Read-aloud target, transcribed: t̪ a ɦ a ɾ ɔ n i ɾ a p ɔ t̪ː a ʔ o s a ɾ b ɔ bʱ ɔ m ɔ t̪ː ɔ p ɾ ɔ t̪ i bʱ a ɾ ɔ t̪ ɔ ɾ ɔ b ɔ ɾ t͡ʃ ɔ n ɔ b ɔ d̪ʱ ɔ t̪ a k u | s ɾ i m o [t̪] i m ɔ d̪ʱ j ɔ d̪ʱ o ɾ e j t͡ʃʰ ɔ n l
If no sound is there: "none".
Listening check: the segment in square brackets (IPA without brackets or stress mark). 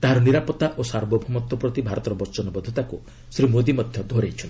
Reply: d̪